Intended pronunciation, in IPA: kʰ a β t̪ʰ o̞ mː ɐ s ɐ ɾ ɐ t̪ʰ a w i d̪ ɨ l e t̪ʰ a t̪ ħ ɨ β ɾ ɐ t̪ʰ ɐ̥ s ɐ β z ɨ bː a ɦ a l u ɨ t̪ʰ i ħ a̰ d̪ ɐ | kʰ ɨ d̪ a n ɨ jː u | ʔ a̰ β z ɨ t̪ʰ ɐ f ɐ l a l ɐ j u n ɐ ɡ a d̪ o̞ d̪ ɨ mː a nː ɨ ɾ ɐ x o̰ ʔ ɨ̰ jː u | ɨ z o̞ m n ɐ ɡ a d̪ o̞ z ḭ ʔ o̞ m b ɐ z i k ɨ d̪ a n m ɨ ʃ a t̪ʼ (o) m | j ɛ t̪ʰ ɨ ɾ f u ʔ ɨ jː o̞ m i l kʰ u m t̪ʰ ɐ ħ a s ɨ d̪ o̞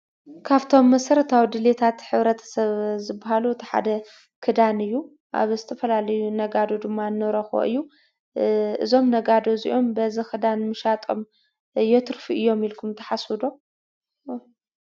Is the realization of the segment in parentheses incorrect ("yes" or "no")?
no